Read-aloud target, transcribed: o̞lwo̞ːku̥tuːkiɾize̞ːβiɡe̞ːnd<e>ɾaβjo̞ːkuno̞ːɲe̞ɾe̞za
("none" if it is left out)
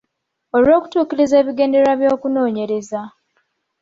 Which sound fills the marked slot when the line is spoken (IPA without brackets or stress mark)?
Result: e